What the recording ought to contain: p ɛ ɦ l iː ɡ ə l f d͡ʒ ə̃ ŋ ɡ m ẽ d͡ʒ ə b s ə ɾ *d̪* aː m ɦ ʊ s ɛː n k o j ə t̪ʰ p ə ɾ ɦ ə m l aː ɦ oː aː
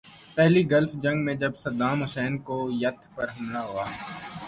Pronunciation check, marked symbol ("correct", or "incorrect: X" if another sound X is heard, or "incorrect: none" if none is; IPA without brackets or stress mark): correct